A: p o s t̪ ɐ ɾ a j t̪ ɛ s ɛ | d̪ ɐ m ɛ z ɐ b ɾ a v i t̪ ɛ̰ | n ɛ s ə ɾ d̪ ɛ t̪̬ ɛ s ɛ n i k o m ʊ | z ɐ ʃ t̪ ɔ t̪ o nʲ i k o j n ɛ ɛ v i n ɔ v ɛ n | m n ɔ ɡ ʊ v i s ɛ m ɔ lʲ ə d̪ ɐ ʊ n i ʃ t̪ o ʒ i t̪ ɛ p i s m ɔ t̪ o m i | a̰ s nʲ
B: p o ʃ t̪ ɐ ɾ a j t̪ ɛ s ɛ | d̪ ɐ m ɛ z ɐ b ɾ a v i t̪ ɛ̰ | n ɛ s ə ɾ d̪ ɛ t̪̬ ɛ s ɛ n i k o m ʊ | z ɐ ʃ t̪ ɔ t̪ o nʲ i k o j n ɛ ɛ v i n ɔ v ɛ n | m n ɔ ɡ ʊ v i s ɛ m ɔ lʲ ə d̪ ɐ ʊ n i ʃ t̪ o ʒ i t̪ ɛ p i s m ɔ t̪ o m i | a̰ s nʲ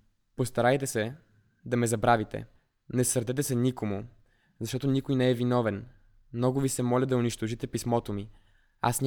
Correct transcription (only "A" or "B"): A